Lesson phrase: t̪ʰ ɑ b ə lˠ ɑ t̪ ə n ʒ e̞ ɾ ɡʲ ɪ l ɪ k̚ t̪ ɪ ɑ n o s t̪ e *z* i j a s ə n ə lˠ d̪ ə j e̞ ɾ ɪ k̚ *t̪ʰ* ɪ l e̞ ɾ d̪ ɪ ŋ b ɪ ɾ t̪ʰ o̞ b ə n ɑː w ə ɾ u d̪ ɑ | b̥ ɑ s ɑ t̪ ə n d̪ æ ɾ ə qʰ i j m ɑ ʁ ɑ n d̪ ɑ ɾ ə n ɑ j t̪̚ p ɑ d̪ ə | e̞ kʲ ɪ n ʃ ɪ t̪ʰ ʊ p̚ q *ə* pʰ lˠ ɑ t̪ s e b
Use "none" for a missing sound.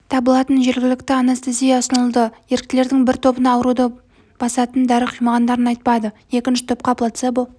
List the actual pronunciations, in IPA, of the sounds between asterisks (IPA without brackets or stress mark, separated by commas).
z, t̪, ɑ